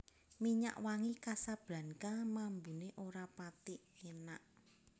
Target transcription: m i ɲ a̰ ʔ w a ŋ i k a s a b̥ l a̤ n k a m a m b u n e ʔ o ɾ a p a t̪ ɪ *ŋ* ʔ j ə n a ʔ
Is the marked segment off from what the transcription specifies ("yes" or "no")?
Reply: yes